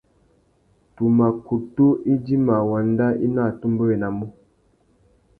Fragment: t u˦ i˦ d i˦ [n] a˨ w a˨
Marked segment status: incorrect: m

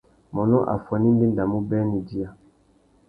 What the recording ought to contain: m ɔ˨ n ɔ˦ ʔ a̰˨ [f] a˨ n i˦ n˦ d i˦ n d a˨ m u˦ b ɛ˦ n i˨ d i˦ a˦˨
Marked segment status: correct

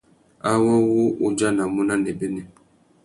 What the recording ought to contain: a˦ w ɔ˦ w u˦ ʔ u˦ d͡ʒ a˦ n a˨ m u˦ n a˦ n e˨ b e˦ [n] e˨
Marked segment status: correct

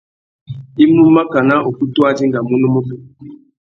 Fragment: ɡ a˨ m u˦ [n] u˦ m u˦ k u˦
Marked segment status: correct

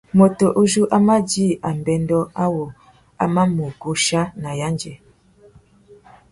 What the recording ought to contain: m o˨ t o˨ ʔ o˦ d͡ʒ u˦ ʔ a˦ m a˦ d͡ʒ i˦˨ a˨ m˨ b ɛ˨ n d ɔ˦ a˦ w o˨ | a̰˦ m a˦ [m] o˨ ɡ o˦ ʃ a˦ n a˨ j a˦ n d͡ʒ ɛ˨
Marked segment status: correct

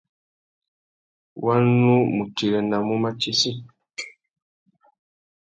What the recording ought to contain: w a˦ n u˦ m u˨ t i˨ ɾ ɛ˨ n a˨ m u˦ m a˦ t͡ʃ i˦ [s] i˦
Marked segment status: correct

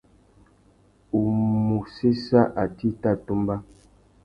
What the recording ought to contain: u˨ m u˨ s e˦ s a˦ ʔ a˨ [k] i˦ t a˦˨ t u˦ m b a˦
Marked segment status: incorrect: t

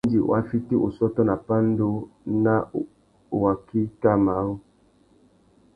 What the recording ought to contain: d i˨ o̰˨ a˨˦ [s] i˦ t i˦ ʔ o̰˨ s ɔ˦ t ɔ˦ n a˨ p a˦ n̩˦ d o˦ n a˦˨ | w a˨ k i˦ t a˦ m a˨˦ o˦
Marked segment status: incorrect: f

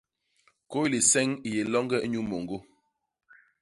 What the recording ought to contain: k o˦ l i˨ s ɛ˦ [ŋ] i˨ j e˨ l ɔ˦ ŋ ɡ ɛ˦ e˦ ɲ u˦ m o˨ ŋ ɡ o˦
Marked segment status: correct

